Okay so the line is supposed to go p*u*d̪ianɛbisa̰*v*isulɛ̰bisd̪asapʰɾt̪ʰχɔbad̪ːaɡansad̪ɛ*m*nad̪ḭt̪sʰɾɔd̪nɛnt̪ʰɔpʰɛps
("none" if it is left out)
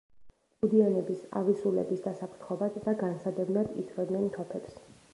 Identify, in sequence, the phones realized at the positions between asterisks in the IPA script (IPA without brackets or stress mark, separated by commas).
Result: u, v, b